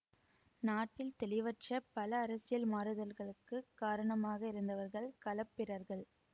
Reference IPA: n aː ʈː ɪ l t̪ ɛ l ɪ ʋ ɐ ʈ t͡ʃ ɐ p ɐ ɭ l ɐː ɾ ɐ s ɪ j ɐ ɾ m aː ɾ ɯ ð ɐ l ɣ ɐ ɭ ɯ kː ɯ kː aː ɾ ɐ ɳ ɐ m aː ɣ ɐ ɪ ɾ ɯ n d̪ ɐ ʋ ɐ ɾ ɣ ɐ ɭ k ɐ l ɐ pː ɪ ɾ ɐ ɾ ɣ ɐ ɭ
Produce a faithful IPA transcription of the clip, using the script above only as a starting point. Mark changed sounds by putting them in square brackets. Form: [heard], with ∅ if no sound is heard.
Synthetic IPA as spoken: n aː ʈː ɪ l t̪ ɛ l ɪ ʋ ɐ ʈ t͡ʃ ɐ p ɐ [∅] l ɐː ɾ ɐ s ɪ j ɐ [l] m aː ɾ ɯ ð ɐ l ɣ ɐ ɭ ɯ kː ɯ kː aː ɾ ɐ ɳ ɐ m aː ɣ ɐ ɪ ɾ ɯ n d̪ ɐ ʋ ɐ ɾ ɣ ɐ ɭ k ɐ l ɐ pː ɪ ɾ ɐ ɾ ɣ ɐ ɭ